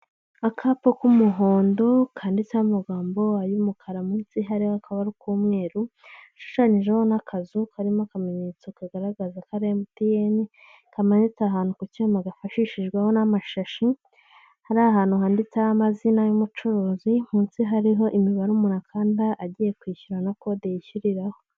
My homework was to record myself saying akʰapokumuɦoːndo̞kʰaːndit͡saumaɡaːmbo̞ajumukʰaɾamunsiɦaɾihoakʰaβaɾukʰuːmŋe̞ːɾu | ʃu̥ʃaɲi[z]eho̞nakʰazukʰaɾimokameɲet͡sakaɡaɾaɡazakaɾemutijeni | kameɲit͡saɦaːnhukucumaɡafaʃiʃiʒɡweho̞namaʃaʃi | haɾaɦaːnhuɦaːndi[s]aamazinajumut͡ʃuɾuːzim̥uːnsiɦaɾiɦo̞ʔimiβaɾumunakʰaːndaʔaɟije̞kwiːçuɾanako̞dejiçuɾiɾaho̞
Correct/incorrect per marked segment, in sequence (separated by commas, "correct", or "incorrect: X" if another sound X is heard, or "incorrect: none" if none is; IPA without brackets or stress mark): incorrect: ʒ, incorrect: t͡s